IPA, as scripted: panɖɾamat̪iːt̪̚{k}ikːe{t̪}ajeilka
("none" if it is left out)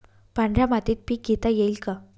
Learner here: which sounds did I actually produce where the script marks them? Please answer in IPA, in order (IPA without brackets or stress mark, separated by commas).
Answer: p, t̪